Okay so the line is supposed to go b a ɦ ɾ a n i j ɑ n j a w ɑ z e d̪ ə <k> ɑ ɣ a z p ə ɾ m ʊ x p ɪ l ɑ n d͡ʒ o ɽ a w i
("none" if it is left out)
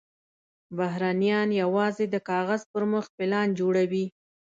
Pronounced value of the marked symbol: k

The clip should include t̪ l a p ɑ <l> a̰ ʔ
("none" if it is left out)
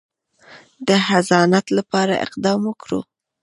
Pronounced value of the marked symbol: ɾ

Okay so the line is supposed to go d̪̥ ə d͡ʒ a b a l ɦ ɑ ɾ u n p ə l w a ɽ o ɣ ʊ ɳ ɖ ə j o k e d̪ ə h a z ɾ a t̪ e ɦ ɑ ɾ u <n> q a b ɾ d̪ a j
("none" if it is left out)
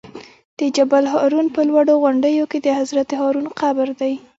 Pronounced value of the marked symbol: n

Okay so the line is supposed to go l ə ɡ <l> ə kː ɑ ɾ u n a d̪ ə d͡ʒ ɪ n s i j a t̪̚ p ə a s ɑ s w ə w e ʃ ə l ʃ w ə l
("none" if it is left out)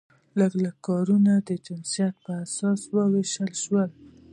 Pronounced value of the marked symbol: l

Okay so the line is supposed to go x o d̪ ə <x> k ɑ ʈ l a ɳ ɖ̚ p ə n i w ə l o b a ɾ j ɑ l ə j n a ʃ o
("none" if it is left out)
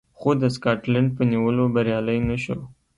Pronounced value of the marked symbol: s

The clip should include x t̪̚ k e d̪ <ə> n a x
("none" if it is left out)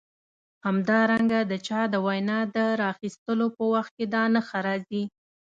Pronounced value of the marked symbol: ɑ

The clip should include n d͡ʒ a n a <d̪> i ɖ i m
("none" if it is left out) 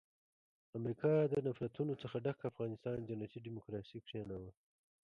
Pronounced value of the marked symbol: t̪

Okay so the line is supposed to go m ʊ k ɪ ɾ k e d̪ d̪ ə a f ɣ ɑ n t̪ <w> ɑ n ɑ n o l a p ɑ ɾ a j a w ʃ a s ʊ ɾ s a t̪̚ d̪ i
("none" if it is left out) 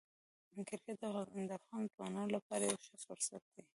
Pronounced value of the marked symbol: w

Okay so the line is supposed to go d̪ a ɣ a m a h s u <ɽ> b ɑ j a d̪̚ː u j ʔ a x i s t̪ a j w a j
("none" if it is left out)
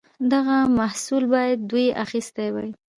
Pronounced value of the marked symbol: l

